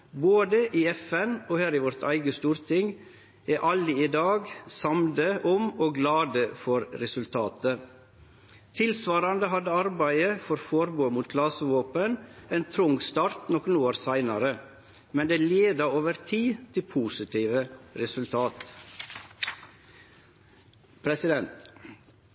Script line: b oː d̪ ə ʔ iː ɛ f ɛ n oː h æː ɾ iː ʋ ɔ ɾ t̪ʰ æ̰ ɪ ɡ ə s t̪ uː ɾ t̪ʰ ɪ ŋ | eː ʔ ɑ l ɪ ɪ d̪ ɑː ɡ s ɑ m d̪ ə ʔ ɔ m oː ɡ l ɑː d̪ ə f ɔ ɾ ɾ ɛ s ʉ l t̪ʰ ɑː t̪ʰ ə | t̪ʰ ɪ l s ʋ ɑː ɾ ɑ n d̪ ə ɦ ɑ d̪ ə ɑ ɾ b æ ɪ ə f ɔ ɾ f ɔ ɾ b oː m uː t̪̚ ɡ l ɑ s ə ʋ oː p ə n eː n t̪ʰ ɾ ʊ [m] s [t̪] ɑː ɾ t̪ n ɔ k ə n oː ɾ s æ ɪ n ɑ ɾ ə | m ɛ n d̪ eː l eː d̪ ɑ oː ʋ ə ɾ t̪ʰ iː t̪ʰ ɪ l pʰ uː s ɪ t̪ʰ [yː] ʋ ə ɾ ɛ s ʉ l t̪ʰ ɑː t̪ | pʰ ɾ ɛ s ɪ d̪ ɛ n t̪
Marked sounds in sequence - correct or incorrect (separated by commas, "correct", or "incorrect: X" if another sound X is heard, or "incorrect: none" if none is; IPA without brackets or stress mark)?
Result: incorrect: ŋ, correct, incorrect: iː